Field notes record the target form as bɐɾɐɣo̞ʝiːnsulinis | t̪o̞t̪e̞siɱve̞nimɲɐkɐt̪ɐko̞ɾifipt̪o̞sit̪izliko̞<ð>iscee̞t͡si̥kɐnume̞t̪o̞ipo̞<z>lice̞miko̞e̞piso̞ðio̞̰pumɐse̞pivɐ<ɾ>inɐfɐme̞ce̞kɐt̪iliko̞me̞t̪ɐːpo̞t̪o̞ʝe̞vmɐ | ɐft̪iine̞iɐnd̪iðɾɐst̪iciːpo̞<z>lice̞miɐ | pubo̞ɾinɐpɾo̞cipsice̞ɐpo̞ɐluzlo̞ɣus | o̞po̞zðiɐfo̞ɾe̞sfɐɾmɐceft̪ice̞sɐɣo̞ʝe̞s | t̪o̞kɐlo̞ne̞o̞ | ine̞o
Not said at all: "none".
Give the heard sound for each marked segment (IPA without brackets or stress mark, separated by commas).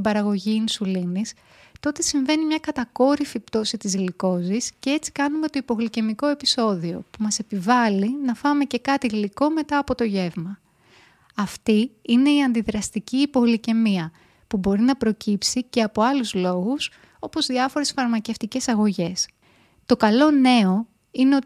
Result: z, ɣ, l, ɣ